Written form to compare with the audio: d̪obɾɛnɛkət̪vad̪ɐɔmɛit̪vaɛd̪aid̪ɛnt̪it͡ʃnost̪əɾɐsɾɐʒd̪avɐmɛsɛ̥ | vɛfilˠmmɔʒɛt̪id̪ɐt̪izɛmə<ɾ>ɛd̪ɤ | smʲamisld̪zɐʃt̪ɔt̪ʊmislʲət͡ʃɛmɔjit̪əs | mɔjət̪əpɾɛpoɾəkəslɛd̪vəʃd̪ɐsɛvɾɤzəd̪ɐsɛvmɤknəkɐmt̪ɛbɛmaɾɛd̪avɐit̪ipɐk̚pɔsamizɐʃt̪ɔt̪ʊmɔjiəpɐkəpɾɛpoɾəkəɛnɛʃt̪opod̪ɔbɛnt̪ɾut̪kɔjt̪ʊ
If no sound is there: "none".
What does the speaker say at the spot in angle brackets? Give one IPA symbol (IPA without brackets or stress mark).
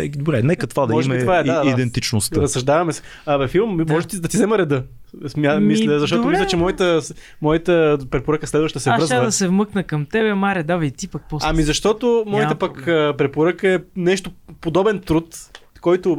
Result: ɾ